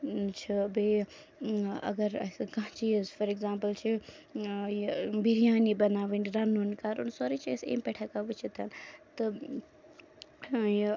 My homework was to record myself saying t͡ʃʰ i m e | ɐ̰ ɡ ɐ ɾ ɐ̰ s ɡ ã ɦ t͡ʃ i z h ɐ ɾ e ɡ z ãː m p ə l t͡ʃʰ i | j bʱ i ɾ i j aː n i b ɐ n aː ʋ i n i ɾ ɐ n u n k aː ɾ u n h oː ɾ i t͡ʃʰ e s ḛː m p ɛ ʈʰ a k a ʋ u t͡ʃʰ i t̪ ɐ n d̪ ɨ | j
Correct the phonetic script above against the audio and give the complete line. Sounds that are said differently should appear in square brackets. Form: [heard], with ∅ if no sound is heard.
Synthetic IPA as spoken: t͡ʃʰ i [b] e | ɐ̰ ɡ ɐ ɾ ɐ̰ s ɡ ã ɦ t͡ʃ i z [f] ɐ ɾ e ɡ z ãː m p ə l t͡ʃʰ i | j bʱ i ɾ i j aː n i b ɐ n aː ʋ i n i ɾ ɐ n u n k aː ɾ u n [s] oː ɾ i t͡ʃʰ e s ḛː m p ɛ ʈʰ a k a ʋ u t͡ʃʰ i t̪ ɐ n [t̪] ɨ | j